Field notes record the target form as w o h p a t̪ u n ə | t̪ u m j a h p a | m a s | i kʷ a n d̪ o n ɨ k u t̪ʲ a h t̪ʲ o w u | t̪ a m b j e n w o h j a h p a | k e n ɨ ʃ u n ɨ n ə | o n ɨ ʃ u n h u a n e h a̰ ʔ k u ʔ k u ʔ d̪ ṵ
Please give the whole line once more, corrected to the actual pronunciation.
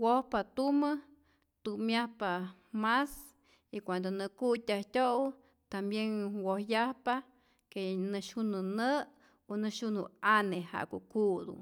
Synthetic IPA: w o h p a t̪ u m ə | t̪ u m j a h p a | m a s | i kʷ a n d̪ o n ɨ k u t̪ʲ a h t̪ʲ o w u | t̪ a m b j e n w o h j a h p a | k e n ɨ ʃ u n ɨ n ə | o n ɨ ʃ u n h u a n e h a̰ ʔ k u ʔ k u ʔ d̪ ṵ